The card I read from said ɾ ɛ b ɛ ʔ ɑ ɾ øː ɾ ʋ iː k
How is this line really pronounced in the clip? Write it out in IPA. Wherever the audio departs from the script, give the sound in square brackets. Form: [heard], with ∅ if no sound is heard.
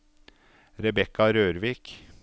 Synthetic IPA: ɾ ɛ b ɛ [k] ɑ ɾ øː ɾ ʋ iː k